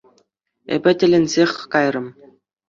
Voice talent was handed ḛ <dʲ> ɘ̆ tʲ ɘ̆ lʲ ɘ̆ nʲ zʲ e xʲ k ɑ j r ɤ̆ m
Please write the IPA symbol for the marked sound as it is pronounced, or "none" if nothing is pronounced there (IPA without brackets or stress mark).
bʲ